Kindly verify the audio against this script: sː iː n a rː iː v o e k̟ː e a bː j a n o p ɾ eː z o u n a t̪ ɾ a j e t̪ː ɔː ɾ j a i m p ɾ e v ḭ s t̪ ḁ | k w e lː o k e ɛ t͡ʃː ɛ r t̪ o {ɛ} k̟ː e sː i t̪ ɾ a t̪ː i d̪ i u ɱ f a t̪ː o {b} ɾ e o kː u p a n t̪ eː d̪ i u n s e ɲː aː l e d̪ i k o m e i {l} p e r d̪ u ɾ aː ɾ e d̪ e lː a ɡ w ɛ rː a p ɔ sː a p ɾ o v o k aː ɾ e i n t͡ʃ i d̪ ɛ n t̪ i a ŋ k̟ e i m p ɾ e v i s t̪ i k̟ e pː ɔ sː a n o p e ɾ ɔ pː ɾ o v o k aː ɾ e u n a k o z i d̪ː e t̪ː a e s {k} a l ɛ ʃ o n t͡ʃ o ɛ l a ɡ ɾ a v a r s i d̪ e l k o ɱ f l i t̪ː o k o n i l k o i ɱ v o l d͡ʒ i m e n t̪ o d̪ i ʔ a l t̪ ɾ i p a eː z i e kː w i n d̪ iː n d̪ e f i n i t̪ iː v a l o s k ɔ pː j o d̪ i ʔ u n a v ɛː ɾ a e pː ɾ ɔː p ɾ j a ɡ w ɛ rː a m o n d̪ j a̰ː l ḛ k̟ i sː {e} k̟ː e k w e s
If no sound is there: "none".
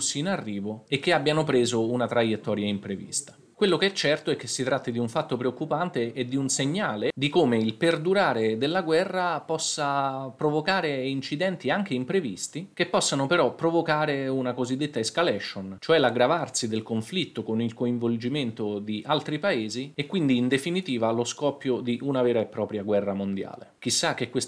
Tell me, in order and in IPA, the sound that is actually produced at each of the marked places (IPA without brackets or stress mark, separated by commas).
ɛ, p, l, k, a